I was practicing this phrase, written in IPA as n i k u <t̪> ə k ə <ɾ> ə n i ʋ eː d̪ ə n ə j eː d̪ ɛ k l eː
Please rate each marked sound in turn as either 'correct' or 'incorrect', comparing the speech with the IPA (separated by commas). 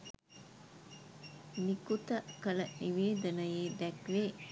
correct, incorrect